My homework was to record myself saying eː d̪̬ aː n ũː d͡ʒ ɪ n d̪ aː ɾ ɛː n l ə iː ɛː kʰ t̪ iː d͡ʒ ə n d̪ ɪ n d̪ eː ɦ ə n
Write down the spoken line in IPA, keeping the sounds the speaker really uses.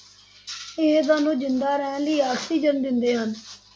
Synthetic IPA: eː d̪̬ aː n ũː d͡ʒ ɪ n d̪ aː ɾ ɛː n l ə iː aː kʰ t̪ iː d͡ʒ ə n d̪ ɪ n d̪ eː ɦ ə n